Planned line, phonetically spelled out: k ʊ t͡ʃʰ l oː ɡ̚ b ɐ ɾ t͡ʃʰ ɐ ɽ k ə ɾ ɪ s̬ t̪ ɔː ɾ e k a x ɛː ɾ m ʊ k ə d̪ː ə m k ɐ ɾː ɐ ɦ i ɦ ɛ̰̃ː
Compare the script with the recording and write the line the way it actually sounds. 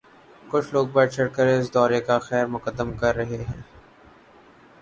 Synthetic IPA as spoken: k ʊ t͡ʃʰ l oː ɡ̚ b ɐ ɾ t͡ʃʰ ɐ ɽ k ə ɾ ɪ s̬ d̪ ɔː ɾ e k a x ɛː ɾ m ʊ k ə d̪ː ə m k ɐ ɾː ɐ ɦ e ɦ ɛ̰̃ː